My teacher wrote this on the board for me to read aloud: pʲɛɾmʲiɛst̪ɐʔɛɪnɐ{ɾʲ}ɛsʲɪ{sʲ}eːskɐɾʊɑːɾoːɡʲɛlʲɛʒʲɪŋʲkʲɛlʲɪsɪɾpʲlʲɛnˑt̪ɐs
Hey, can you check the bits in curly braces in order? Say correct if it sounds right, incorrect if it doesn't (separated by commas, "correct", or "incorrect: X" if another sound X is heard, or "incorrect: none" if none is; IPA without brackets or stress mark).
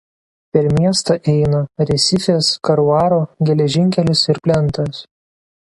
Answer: correct, incorrect: fʲ